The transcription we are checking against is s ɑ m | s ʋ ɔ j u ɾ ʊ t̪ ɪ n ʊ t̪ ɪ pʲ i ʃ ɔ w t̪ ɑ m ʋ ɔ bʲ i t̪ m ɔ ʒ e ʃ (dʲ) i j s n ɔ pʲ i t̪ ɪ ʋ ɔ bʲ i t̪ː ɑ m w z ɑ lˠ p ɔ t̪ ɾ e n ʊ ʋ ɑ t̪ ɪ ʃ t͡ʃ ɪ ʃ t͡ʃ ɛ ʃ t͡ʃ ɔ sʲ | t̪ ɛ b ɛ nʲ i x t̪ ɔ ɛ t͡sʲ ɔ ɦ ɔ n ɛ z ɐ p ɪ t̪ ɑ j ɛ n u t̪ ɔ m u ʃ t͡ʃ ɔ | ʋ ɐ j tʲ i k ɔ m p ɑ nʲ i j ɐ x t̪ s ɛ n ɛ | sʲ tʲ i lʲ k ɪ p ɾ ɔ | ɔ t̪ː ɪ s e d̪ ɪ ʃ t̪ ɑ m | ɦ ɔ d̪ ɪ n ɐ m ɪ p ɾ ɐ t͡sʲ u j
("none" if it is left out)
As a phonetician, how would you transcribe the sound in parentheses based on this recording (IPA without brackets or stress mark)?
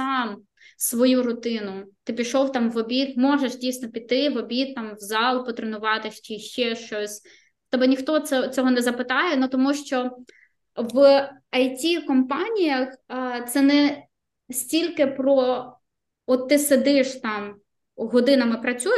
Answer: dʲ